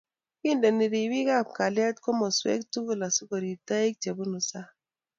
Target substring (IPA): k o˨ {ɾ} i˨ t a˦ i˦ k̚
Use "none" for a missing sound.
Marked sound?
ɾ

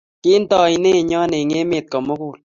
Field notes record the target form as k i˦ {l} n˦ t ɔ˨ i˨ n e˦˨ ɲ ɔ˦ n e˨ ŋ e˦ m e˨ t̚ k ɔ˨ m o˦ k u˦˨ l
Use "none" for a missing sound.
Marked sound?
none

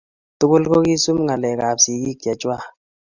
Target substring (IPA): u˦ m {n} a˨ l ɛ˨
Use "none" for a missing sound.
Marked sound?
ŋ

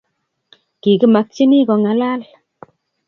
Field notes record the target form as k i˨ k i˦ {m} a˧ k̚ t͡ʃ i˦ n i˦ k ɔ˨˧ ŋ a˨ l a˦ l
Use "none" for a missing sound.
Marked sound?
m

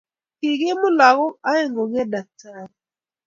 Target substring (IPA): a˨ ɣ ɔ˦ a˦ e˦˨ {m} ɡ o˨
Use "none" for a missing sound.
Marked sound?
ŋ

